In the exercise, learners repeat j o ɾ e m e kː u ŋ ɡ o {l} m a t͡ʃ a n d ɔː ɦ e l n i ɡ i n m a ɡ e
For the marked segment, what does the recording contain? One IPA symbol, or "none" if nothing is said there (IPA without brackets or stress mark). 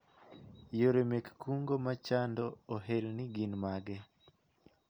none